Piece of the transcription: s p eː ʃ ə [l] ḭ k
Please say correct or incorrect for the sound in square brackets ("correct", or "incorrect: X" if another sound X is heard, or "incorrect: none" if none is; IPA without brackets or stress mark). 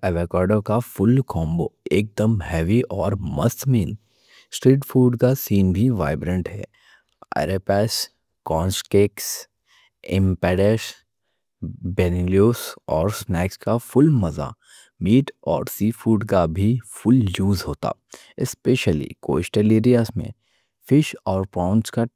correct